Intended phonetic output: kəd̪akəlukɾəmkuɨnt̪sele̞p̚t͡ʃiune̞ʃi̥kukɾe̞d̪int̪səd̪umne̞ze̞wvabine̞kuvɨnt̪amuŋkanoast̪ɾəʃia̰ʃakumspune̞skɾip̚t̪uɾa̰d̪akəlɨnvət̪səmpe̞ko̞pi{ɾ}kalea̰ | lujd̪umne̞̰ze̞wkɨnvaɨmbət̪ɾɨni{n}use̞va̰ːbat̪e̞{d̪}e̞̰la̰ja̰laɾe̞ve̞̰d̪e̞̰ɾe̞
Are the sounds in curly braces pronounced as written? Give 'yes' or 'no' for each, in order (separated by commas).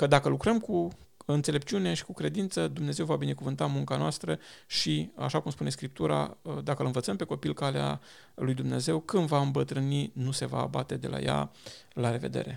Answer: no, yes, yes